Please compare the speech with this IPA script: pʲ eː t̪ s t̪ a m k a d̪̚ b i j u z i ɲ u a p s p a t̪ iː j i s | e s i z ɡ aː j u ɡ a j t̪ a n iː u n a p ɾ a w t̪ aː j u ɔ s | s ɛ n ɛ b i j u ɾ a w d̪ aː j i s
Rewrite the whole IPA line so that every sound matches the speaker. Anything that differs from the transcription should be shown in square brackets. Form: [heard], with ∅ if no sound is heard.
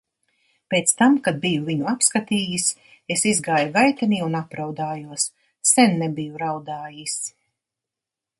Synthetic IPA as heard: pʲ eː t̪ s t̪ a m k a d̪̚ b i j u [v] i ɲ u a p s [k] a t̪ iː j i s | e s i z ɡ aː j u ɡ a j t̪ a n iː u n a p ɾ a w [d̪] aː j u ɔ s | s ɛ [nː] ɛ b i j u ɾ a w d̪ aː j i s